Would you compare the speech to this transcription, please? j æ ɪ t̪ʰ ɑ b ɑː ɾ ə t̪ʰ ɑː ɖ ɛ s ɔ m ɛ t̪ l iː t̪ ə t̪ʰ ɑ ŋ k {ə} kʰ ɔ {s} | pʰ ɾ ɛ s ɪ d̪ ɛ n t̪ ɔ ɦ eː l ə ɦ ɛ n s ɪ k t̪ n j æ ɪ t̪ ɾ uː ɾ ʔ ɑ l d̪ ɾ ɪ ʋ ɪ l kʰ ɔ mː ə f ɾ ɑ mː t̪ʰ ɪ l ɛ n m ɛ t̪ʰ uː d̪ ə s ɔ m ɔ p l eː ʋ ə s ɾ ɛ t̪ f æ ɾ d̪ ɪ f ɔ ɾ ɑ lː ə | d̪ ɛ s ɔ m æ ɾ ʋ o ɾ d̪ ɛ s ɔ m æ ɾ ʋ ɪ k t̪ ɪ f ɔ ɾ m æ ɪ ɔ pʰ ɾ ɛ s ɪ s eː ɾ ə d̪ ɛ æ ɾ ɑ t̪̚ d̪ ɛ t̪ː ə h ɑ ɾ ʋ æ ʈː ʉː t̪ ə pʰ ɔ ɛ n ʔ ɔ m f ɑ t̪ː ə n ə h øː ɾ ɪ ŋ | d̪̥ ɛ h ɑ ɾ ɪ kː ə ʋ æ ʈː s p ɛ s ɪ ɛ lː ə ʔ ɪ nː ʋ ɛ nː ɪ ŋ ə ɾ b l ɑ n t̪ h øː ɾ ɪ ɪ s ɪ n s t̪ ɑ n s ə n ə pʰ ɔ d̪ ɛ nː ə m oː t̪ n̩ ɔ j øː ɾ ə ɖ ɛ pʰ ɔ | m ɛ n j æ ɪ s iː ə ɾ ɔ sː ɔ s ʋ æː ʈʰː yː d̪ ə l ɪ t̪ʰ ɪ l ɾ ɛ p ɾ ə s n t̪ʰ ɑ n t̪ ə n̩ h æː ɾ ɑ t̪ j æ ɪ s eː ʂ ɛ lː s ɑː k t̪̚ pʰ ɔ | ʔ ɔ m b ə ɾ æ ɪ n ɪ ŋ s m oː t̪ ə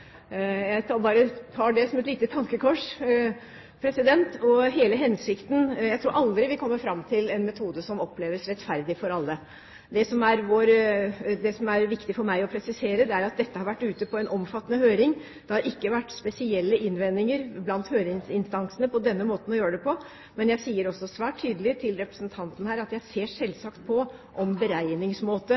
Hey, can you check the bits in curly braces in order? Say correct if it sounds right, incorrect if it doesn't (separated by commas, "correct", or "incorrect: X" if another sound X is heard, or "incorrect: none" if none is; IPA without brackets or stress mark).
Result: correct, incorrect: ʂ